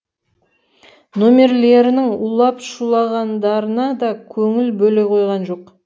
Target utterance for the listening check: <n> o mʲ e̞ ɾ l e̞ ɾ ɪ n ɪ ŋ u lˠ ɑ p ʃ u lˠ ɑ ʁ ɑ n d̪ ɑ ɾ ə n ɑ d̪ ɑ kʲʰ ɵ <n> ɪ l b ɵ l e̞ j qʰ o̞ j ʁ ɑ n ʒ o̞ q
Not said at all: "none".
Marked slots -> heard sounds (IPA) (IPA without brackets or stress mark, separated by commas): n, ŋ